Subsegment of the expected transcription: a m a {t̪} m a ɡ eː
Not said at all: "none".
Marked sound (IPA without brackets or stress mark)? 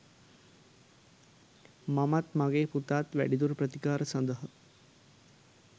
t̪